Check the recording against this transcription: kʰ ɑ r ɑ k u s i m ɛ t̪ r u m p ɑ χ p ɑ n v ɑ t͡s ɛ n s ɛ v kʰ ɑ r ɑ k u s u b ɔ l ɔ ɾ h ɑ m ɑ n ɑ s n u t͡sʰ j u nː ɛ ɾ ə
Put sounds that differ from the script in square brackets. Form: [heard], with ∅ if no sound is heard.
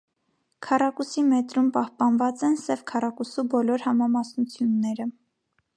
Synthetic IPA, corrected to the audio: kʰ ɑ r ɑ k u s i m ɛ t̪ [ɾ] u m p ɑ [h] p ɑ n v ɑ t͡s ɛ n s ɛ v kʰ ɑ r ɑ k u s u b ɔ l ɔ ɾ h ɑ m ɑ [m] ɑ s n u t͡sʰ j u nː ɛ ɾ ə